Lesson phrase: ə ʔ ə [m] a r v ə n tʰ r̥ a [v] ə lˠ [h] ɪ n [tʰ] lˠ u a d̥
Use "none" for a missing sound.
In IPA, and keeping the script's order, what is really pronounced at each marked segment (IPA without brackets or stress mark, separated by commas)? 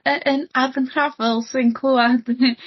n, v, s, kʰ